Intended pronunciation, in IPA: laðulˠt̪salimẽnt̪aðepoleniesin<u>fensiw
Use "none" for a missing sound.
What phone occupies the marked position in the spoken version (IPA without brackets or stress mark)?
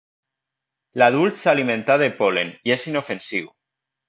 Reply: o